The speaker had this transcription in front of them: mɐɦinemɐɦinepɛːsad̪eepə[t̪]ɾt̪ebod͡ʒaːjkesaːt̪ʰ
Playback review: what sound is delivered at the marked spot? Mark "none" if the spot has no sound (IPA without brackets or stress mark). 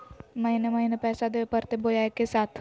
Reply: none